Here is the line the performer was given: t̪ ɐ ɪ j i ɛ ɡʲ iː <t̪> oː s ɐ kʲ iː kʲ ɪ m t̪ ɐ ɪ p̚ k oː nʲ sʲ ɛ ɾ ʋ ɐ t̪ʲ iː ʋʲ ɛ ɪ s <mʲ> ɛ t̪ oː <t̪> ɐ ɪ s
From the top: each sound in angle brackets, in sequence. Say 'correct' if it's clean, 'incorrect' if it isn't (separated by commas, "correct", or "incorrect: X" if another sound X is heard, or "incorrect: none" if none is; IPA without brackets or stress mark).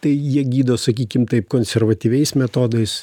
incorrect: d̪, correct, incorrect: d̪